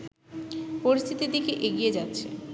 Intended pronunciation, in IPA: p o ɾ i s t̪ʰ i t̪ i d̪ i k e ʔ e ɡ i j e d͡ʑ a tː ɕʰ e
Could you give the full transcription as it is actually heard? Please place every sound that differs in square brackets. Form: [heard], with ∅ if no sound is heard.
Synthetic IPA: p o ɾ i s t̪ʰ i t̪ i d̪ i k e ʔ e ɡ i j e d͡ʑ a tː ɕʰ e